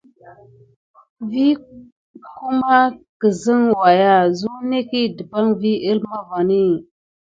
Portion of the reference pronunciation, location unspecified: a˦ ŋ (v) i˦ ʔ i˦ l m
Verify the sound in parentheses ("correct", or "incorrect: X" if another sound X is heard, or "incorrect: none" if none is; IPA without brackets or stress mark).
correct